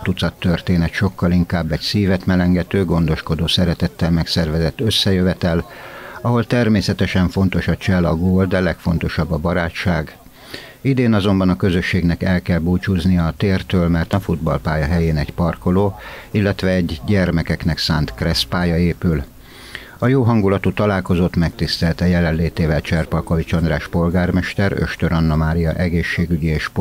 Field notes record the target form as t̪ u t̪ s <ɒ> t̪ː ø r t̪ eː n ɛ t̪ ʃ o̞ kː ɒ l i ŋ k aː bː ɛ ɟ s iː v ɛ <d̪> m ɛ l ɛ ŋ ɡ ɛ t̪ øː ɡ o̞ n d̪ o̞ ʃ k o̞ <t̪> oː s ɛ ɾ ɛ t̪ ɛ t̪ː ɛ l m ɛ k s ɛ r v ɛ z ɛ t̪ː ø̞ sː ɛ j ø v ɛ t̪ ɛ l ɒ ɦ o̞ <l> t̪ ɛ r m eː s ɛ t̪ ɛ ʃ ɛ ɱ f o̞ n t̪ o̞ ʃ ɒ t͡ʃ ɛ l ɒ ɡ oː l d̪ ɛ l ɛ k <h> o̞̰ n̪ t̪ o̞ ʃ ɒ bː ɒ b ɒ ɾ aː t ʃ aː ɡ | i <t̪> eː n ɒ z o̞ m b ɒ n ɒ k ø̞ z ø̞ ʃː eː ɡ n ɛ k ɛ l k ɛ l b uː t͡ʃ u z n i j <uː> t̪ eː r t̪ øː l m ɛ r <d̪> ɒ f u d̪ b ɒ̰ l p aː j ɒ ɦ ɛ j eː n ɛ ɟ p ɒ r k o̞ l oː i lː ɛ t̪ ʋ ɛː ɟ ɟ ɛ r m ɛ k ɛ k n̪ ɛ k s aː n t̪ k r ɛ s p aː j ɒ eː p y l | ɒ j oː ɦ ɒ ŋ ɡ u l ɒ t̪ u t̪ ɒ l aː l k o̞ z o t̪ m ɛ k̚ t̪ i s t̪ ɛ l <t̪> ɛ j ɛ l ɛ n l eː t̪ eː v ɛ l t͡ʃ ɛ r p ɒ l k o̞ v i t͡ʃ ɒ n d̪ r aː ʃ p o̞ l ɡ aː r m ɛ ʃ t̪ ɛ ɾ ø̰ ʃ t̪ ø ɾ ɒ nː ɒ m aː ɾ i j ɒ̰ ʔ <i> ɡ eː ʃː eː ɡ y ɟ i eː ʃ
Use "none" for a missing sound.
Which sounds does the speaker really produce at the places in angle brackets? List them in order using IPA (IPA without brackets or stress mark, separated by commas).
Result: ɒ, t̪, d̪, l, f, d̪, ɒː, t̪, t̪, ɛ